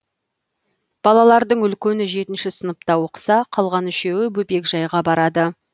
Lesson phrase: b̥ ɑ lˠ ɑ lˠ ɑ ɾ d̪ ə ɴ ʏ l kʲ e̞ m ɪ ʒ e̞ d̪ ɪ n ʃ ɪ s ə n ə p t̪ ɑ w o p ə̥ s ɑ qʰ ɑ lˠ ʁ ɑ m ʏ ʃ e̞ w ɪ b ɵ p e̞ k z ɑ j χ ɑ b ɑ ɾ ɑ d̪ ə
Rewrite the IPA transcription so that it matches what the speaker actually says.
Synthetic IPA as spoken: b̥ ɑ lˠ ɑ lˠ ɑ ɾ d̪ ə ɴ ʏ l kʲ e̞ n ɪ ʒ e̞ t̪ ɪ n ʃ ɪ s ə n ə p t̪ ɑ w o q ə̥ s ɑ qʰ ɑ lˠ ʁ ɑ n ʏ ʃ e̞ w ɪ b ɵ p e̞ k ʒ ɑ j ʁ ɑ b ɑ ɾ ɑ d̪ ə